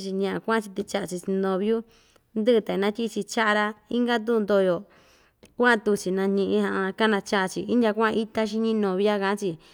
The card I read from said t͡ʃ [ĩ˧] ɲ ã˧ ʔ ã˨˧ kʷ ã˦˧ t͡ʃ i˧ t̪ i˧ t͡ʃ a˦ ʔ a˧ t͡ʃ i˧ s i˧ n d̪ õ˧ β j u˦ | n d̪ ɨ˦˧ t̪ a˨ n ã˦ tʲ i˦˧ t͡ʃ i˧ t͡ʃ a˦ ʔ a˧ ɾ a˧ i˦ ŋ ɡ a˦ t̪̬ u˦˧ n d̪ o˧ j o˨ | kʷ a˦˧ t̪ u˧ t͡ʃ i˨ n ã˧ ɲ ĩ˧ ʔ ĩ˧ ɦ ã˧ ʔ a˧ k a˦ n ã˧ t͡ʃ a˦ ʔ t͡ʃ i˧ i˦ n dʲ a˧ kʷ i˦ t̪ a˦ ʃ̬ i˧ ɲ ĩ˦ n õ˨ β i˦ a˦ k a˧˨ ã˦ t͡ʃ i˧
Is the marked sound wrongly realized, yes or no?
yes